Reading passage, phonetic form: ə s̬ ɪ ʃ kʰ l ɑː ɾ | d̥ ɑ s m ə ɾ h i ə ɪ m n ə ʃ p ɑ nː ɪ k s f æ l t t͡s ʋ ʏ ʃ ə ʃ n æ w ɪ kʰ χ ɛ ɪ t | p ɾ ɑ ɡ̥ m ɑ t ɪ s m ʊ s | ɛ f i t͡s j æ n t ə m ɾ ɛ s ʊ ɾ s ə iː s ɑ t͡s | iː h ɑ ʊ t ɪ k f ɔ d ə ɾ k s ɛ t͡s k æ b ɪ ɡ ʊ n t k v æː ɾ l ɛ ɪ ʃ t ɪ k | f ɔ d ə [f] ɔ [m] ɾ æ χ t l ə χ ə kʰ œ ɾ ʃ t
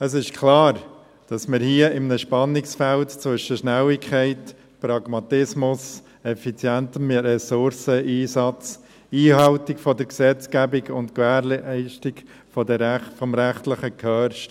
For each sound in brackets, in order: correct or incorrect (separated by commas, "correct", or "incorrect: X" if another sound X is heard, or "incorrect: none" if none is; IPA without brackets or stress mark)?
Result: correct, correct